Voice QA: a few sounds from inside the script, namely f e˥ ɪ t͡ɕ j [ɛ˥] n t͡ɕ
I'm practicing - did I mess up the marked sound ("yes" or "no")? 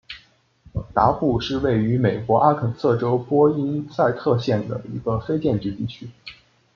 yes